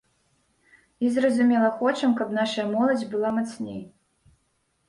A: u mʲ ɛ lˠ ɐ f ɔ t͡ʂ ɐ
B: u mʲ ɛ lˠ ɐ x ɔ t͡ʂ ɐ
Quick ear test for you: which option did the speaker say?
B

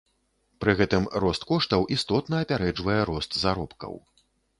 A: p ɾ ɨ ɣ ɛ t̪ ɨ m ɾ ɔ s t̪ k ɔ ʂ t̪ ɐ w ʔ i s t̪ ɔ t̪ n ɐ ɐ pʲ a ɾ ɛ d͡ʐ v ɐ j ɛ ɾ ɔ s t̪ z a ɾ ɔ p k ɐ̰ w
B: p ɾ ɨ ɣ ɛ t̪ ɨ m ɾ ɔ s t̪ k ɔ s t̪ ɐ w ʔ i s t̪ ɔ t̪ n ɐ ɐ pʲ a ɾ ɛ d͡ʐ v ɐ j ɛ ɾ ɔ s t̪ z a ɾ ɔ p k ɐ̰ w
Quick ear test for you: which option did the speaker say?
A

